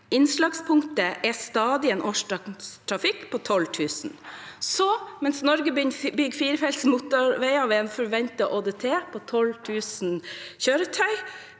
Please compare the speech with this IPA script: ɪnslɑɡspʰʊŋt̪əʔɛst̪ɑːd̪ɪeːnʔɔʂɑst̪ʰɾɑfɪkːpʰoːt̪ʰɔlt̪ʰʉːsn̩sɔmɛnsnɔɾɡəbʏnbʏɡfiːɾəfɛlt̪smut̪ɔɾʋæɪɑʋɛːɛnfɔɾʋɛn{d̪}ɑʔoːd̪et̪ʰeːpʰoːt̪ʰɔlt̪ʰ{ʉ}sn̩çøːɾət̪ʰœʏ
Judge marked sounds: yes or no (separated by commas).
no, no